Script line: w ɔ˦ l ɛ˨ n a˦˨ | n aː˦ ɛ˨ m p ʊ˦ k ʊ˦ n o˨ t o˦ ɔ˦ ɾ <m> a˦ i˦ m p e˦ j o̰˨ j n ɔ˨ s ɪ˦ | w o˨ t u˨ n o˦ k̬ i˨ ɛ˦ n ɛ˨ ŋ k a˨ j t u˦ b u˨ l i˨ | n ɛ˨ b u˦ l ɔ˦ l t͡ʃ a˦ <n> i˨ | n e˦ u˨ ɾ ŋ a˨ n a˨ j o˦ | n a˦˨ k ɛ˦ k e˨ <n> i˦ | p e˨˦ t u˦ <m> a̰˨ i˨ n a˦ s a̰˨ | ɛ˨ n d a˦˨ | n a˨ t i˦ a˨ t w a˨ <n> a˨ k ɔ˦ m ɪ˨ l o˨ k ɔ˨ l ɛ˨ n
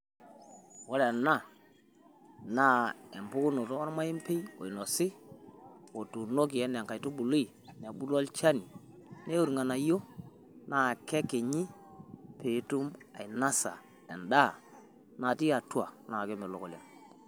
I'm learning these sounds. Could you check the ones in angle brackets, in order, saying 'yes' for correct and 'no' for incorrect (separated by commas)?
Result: yes, yes, no, yes, yes